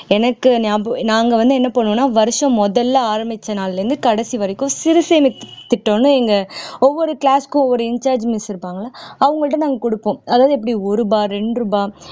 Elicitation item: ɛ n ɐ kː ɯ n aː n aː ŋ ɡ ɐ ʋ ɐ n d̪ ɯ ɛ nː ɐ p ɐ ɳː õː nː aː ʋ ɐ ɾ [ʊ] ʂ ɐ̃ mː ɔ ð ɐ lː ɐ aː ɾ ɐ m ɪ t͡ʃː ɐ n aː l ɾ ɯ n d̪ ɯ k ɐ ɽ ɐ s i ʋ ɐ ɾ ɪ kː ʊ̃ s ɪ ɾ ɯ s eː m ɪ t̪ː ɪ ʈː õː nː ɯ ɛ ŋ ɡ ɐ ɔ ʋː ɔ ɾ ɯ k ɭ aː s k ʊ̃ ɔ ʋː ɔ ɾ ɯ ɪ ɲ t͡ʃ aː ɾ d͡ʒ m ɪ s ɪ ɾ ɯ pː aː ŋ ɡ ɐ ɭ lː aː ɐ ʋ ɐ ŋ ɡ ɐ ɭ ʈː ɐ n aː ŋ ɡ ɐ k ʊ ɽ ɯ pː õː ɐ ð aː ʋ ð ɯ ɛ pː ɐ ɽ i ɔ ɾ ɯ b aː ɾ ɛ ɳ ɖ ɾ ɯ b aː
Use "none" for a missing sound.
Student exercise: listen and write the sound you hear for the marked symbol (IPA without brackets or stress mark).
ɯ